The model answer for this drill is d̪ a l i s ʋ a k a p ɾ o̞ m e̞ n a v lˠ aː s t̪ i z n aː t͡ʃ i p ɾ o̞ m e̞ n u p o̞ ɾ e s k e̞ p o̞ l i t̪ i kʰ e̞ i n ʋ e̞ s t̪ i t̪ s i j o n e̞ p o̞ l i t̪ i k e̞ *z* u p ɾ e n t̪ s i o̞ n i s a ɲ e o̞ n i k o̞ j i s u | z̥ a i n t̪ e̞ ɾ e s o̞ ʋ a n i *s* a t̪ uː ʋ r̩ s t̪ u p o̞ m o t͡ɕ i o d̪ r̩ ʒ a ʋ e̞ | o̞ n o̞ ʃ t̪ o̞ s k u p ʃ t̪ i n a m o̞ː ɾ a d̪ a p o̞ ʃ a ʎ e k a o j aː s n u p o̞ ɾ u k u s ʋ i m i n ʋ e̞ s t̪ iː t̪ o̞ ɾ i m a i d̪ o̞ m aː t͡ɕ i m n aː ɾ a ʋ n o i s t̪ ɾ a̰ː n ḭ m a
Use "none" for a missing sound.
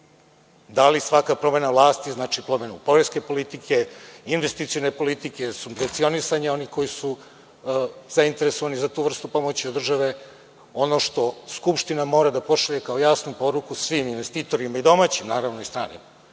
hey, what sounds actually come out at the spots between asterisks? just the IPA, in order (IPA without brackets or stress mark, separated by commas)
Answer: s, z